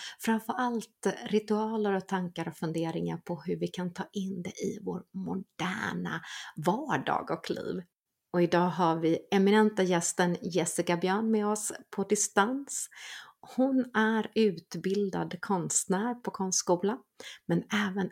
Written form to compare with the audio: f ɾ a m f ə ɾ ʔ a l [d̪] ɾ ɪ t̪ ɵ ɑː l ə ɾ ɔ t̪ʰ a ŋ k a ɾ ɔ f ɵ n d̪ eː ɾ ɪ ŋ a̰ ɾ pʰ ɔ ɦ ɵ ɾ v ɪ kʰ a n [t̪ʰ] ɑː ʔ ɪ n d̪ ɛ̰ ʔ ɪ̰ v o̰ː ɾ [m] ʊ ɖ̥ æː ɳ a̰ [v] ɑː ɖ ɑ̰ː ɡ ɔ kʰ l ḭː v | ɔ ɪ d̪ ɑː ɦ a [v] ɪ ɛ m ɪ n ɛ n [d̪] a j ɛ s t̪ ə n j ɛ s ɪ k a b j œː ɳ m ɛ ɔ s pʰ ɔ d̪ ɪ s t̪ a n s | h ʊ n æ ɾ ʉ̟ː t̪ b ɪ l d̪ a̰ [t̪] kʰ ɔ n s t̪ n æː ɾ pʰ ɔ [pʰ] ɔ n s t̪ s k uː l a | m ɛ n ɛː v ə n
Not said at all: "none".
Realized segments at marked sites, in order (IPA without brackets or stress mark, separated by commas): t̪, t̪ʰ, m, v, v, t̪, d̪, kʰ